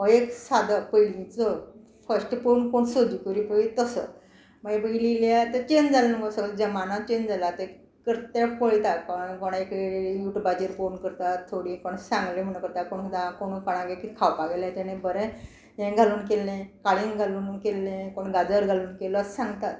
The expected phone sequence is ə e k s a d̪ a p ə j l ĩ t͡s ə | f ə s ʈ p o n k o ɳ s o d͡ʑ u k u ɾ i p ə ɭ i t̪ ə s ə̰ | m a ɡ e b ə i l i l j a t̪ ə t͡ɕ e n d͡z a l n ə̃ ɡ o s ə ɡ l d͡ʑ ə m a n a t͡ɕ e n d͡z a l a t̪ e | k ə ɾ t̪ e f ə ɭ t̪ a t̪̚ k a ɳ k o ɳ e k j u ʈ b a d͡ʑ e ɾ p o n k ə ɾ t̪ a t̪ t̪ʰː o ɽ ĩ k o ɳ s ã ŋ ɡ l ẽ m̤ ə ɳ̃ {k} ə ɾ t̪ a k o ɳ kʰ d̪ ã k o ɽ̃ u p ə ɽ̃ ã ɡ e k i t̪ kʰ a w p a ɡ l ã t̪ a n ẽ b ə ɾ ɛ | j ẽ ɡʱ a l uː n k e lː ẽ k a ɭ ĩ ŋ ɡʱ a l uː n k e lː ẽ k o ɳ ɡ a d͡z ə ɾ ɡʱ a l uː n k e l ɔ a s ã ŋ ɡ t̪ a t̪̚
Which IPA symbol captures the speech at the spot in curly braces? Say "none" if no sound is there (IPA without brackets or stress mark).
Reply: k